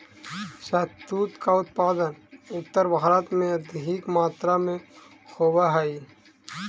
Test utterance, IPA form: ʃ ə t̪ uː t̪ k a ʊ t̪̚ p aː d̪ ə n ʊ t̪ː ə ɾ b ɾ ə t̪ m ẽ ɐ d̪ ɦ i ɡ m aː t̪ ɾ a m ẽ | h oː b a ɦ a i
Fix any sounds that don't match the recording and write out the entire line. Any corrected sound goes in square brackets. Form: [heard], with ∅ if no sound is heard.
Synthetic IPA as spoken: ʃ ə t̪ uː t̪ k a ʊ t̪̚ p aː d̪ ə n ʊ t̪ː ə ɾ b ɾ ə t̪ m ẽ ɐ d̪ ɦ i [k] m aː t̪ ɾ a m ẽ | [x] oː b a ɦ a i